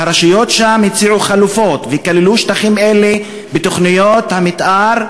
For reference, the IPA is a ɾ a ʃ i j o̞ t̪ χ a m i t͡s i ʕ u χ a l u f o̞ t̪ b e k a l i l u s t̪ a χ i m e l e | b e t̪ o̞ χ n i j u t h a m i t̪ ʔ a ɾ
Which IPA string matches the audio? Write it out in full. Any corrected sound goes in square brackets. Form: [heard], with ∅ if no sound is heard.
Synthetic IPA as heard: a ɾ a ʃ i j o̞ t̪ [ʃ] a m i t͡s i ʕ u χ a l u f o̞ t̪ [v] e k a l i l u [ʃ] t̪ a χ i m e l e | b e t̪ o̞ χ n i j [o] t h a m i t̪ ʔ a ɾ